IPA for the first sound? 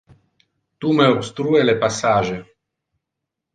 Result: t̪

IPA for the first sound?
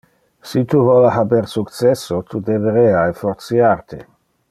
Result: s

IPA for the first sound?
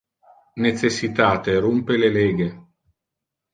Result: n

